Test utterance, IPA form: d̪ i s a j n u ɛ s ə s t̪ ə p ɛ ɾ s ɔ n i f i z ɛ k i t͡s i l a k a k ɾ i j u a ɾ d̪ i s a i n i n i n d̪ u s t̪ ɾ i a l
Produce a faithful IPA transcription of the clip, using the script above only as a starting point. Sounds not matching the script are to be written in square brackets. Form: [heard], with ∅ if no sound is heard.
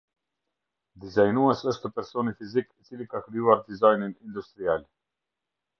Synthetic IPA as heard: d̪ i [z] a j n u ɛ s ə [ʃ] t̪ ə p ɛ ɾ s ɔ n i f i z [i] k i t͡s i l [i] k a k ɾ i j u a ɾ d̪ i [z] a [j] n i n i n d̪ u s t̪ ɾ i a l